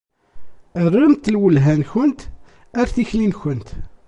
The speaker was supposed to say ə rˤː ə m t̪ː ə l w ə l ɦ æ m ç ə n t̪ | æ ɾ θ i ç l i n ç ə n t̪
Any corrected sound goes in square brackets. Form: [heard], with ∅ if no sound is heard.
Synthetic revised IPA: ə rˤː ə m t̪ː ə l w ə l ɦ æ [n] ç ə n t̪ | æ ɾ θ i ç l i n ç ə n t̪